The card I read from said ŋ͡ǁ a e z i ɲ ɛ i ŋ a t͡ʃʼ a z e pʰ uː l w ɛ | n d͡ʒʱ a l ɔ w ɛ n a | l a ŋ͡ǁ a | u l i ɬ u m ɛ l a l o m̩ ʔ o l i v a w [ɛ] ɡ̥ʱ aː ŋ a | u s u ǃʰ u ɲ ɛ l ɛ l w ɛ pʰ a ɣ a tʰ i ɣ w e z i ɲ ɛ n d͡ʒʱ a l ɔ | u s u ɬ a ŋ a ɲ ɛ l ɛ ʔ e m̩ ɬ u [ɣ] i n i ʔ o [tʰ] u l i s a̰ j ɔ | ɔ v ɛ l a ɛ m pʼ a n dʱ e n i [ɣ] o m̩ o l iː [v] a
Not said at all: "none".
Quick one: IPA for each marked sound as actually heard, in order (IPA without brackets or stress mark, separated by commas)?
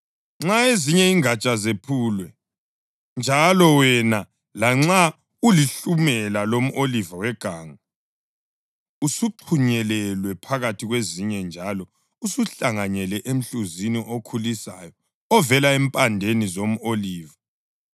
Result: ɛ, z, kʰ, z, v